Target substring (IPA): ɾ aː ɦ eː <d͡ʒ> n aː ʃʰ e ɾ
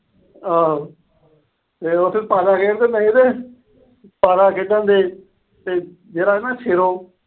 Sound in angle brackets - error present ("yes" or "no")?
yes